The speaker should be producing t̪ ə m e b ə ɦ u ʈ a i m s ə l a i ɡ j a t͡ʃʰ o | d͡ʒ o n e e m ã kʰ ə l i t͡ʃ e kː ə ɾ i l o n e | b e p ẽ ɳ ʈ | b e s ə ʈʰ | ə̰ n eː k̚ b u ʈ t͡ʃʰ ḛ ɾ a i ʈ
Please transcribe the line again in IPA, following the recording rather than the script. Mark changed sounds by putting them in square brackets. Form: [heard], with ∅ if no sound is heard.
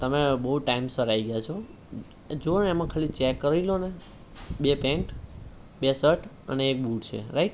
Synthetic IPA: t̪ ə m e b ə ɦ u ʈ a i m s ə [ɾ] a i ɡ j a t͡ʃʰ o | d͡ʒ o n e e m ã kʰ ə l i t͡ʃ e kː ə ɾ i l o n e | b e p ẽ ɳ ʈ | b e s ə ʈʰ | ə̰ n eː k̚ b u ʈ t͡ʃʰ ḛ ɾ a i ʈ